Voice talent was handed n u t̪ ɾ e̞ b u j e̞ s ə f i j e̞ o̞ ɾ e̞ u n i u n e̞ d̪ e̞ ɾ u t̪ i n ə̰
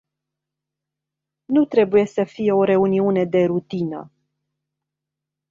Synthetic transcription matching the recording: n u t̪ ɾ e̞ b u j e̞ s ə f i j e̞ o̞ ɾ e̞ u n i u n e̞ d̪ e̞ ɾ u t̪ i n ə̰